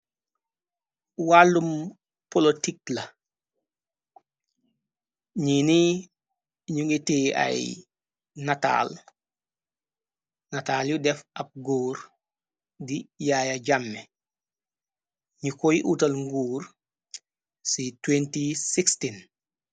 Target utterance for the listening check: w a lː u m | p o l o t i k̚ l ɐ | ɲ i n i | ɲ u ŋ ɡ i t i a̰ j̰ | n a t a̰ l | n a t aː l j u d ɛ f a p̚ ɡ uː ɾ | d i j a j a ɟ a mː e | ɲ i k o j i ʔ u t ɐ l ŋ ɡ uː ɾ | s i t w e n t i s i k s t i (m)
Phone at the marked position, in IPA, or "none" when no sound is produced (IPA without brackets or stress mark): n